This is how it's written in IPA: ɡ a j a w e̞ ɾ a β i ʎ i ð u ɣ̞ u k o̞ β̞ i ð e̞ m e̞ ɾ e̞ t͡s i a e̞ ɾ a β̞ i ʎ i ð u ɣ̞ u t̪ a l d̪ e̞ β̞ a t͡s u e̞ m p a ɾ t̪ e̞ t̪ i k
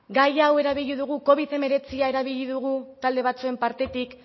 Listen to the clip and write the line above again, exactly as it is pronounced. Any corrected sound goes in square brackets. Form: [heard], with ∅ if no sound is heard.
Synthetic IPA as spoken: ɡ a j a w e̞ ɾ a β i ʎ i ð u ɣ̞ u k o̞ β̞ i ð e̞ m e̞ ɾ e̞ t͡s i a e̞ ɾ a β̞ i ʎ i ð u ɣ̞ u t̪ a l d̪ e̞ β̞ a t͡s u e̞ m p a ɾ t̪ e̞ t̪ i k